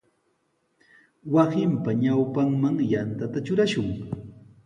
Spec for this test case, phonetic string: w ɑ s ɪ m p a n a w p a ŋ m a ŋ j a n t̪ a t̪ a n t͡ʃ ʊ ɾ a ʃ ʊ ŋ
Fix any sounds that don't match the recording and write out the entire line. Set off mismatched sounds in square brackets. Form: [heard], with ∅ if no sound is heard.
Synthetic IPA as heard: w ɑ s ɪ m p a [ɲ] a w p a ŋ m a ŋ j a n t̪ a t̪ a [∅] t͡ʃ ʊ ɾ a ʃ ʊ ŋ